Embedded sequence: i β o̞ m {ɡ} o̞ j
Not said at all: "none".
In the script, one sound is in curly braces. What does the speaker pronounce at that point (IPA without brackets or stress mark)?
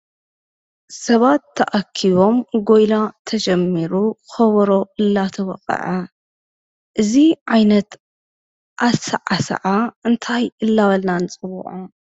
ɡ